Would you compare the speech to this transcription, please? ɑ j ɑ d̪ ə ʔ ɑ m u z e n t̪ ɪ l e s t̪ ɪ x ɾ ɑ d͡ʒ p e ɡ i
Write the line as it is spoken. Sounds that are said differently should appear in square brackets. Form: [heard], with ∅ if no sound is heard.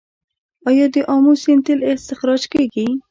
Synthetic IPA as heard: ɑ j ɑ d̪ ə ʔ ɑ m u [s] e n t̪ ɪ l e s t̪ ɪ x ɾ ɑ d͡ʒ [k] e ɡ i